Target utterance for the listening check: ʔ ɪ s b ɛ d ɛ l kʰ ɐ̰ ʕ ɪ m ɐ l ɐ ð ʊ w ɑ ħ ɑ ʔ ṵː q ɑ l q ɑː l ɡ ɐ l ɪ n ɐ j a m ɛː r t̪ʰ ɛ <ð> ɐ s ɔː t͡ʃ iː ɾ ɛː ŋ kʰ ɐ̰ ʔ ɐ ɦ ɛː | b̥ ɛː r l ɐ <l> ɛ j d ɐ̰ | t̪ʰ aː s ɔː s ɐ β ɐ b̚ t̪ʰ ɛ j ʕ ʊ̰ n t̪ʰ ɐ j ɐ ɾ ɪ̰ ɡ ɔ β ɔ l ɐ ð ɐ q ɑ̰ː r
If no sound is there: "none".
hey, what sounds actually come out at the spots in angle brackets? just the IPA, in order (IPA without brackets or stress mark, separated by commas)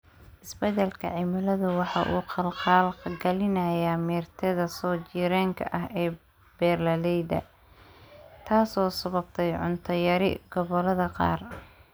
ð, l